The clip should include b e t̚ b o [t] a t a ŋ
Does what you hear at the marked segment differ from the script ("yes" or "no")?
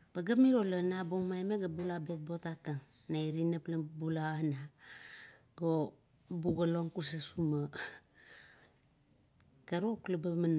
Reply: no